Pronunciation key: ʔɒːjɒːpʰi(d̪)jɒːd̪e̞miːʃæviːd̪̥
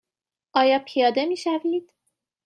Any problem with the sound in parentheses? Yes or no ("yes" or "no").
yes